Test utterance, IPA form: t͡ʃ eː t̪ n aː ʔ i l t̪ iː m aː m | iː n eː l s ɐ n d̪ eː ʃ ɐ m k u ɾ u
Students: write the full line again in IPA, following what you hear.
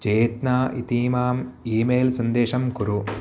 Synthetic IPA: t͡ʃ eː t̪ n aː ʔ i t̪ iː m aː m | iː m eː l s ɐ n d̪ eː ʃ ɐ m k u ɾ u